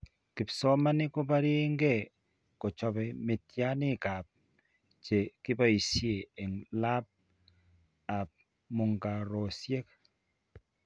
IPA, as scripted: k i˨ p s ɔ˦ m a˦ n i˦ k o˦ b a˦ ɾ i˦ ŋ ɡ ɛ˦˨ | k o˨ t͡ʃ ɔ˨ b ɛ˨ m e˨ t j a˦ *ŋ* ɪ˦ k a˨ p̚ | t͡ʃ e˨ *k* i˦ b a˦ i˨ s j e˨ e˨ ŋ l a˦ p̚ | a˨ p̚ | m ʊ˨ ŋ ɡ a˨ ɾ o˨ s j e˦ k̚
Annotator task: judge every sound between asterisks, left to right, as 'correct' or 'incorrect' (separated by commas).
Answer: incorrect, correct